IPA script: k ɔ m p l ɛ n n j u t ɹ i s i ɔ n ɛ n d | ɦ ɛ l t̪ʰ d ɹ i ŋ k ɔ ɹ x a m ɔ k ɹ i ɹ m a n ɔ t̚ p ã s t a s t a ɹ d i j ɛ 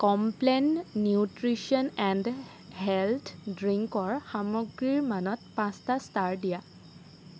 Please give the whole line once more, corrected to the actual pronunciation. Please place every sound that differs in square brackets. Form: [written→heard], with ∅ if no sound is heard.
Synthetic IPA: k ɔ m p l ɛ n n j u t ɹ i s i ɔ n ɛ n d | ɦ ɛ l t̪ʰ d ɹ i ŋ k ɔ ɹ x a m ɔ [k→ɡ] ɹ i ɹ m a n ɔ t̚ p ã s t a s t a ɹ d i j [ɛ→a]